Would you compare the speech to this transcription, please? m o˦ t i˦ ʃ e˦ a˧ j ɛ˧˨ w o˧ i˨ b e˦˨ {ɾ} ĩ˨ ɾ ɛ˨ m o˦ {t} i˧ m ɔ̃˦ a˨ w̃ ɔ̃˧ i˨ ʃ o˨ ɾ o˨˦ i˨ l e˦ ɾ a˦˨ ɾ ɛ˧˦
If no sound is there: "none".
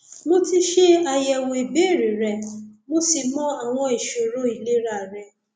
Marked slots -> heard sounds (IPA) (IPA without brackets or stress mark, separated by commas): ɾ, s